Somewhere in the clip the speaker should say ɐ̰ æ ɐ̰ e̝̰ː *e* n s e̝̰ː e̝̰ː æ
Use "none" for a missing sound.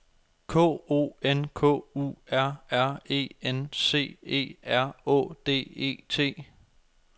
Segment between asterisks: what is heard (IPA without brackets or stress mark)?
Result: e